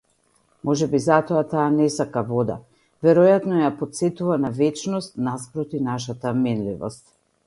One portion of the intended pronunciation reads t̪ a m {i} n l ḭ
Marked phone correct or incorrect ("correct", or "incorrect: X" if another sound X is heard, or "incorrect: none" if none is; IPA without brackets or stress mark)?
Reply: incorrect: ɛ